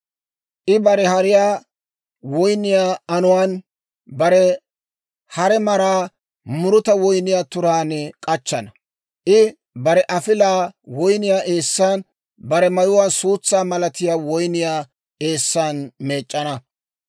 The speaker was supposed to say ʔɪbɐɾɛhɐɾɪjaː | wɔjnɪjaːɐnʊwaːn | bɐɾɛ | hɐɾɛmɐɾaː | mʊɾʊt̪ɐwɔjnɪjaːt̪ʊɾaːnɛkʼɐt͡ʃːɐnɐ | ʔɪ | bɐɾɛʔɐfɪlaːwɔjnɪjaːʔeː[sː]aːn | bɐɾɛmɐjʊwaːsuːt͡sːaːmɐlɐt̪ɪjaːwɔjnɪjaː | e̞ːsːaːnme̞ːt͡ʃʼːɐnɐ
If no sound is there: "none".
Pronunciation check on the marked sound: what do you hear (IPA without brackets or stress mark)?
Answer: sː